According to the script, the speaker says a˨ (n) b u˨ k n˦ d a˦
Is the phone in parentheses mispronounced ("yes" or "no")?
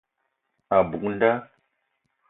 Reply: yes